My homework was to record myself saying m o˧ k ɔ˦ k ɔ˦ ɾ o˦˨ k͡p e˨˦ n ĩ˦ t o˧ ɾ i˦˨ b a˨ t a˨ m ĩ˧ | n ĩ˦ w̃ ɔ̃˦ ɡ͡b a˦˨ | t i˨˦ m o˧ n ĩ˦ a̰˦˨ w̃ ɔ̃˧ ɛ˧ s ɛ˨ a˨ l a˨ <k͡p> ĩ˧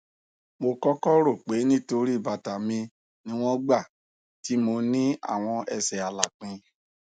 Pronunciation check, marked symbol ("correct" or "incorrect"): correct